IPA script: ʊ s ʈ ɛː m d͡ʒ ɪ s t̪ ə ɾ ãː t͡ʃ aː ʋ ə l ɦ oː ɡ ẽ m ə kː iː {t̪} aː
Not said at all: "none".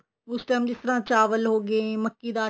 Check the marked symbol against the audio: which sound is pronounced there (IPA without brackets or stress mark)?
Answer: d̪